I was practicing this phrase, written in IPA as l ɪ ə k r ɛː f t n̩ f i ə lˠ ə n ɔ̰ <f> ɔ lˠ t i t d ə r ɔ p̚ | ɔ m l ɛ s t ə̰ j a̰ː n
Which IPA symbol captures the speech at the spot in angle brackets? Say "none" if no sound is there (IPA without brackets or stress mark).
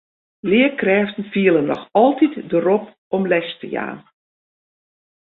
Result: x